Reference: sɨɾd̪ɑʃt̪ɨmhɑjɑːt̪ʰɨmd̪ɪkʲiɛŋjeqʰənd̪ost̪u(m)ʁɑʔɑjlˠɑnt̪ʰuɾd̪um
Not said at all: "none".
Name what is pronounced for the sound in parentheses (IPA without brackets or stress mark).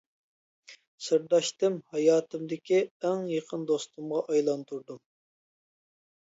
m